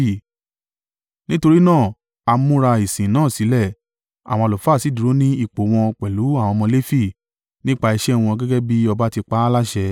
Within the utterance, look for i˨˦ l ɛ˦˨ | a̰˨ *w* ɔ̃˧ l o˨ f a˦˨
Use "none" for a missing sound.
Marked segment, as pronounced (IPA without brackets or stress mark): w